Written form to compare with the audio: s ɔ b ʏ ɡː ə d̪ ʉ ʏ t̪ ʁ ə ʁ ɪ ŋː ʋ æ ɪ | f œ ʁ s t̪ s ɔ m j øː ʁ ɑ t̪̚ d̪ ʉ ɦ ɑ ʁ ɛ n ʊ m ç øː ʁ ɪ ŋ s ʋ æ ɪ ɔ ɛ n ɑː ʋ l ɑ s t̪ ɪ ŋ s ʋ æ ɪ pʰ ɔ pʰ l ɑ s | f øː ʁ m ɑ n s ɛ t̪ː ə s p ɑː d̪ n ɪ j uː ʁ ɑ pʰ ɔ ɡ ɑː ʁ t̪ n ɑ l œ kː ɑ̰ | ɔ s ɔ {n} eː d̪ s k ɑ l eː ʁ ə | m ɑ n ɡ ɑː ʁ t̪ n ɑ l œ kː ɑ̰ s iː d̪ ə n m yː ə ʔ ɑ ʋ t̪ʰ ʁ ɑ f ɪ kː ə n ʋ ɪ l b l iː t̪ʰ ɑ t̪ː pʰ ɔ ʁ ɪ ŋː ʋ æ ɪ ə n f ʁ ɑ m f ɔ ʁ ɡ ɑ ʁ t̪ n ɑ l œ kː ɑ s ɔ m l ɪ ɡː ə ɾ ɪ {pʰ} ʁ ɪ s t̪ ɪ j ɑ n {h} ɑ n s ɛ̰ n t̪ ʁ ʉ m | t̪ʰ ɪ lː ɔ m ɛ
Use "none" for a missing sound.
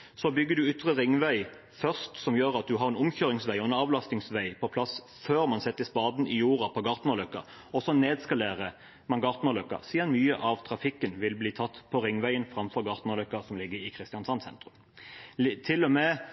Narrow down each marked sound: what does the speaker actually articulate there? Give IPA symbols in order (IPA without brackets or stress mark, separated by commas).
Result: n, kʰ, s